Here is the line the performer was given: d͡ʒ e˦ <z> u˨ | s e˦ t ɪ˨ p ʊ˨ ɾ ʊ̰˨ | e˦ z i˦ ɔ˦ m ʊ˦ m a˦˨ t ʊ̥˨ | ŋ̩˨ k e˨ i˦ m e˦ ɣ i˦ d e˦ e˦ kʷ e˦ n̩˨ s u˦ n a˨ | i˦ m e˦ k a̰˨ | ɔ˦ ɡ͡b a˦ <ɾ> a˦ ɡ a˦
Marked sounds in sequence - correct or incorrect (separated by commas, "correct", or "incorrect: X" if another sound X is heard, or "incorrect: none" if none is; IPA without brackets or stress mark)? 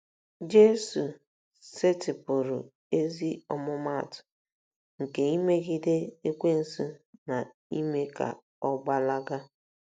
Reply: incorrect: s, incorrect: l